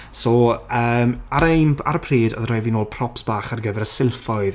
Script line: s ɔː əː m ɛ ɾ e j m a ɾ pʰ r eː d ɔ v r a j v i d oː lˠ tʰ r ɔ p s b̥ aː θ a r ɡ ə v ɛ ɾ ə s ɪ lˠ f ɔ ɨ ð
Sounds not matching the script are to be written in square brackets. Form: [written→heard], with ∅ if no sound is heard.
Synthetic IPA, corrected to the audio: s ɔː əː m [ɛ→a] ɾ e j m a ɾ pʰ r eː d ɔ [v→ð] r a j v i [d→n] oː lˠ [tʰ→pʰ] r ɔ p s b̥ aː [θ→χ] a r ɡ ə v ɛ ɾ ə s ɪ lˠ f ɔ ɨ ð